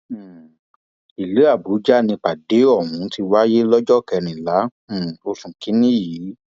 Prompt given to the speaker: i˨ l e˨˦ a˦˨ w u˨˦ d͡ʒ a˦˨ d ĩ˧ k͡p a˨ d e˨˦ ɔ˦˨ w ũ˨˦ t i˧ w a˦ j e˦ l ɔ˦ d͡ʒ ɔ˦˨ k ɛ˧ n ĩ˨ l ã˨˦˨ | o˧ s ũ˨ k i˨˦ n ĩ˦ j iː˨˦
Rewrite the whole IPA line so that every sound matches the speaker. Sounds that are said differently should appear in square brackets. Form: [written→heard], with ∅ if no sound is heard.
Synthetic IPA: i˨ l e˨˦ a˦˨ [w→b] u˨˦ d͡ʒ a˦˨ [d→n] ĩ˧ k͡p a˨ d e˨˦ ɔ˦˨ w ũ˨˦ t i˧ w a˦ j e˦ l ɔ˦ d͡ʒ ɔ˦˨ k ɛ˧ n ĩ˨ l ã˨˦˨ | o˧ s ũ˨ k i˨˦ n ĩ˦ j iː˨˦